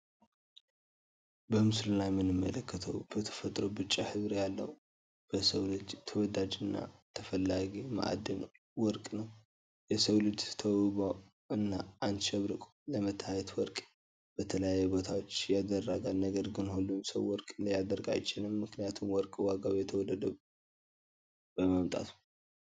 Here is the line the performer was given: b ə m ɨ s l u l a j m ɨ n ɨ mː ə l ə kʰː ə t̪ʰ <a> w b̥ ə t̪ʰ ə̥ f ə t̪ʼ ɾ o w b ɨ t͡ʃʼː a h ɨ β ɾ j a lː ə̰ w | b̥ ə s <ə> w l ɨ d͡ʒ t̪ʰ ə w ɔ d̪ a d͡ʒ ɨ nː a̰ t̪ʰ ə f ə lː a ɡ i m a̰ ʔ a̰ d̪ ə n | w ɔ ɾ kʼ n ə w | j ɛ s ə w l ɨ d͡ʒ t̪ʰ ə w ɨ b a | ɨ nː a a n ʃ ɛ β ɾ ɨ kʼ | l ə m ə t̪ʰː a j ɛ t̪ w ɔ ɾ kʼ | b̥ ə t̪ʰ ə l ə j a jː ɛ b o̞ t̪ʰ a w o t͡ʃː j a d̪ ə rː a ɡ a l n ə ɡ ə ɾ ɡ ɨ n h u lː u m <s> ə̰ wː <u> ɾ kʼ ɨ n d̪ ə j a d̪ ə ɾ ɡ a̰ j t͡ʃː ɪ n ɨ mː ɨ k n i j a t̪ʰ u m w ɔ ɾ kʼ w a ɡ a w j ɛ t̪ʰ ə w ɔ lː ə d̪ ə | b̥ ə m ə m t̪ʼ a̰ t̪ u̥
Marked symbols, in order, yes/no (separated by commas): no, yes, yes, no